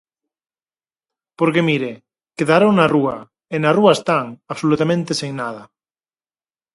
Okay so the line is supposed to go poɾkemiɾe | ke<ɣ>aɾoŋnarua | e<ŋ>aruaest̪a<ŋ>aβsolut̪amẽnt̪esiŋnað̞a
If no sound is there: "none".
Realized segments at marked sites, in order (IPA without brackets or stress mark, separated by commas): ð, n, ŋ